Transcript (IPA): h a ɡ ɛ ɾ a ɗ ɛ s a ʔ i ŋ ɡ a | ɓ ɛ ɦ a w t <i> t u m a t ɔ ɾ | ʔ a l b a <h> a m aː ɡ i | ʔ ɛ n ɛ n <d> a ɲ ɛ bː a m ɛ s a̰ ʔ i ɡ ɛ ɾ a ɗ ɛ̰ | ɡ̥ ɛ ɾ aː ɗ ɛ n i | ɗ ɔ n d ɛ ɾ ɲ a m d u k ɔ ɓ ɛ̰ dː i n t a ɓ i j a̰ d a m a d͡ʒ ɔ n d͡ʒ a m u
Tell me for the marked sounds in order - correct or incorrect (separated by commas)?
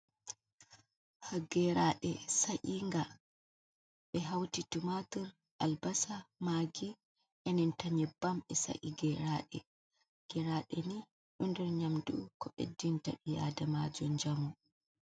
correct, incorrect, incorrect